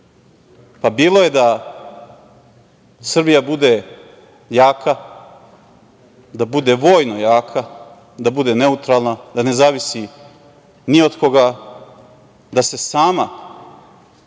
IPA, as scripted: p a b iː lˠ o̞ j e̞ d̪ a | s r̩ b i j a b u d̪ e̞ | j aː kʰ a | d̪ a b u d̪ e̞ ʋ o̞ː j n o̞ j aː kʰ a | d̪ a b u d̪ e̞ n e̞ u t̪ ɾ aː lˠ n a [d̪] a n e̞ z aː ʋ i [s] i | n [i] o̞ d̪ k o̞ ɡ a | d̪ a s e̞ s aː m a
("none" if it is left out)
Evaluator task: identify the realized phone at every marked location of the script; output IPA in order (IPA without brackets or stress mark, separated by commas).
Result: d̪, s, i